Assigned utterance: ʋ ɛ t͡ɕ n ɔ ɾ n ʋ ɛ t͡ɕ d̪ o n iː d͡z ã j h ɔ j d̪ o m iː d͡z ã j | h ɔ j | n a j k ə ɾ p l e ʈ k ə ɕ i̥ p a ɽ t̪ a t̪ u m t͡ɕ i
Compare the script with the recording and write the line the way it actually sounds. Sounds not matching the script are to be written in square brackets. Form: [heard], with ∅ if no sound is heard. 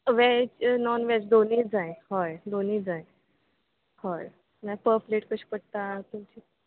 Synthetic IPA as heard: ʋ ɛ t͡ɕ n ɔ [∅] n ʋ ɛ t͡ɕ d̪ o n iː d͡z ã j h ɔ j d̪ o [n] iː d͡z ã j | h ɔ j | n a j [p] ə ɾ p l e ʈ k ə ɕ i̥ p [ə] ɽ t̪ a t̪ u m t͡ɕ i